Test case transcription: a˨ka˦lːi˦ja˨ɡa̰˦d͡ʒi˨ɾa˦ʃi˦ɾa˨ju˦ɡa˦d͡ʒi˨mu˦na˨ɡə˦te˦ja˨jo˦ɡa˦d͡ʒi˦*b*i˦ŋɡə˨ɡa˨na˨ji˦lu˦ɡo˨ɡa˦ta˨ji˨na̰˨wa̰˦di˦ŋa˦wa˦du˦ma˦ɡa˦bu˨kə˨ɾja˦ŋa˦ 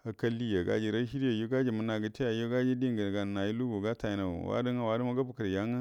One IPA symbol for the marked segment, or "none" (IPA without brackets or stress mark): d